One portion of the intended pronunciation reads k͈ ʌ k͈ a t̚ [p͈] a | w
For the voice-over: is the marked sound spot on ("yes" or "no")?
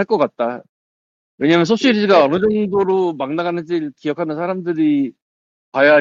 no